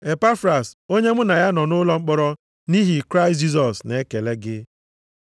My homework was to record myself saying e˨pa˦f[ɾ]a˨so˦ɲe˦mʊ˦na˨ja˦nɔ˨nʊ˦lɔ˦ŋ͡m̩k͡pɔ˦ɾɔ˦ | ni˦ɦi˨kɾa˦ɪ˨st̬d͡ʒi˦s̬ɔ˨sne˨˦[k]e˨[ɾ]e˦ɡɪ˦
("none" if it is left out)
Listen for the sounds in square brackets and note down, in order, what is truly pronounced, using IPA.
ɾ, k, l

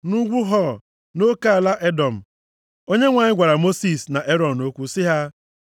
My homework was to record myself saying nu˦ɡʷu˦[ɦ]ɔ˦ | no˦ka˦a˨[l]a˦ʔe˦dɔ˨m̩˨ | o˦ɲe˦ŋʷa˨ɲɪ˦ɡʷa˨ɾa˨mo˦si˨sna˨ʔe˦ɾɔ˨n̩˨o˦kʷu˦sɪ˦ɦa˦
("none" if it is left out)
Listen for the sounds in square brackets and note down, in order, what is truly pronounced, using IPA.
ɦ, l

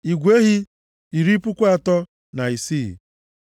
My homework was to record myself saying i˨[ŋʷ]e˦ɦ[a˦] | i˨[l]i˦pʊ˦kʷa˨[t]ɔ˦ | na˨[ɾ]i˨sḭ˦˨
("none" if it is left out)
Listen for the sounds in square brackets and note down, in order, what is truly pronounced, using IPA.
ɡʷ, i˦, ɾ, t, none

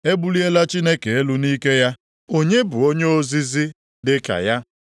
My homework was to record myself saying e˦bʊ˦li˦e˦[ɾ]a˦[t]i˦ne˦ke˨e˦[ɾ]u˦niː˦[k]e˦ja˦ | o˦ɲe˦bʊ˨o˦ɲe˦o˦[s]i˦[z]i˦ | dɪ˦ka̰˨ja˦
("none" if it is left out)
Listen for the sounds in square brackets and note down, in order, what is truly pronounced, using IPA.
l, t͡ʃ, l, k, z, z

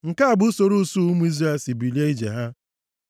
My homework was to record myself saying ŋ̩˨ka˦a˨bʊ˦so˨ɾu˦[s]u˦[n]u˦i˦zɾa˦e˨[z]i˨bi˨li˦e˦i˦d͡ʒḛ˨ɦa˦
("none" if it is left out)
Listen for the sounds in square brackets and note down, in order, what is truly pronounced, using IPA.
s, m, s

